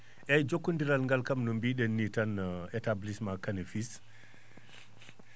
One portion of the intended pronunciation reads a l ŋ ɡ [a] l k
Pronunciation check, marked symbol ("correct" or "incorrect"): correct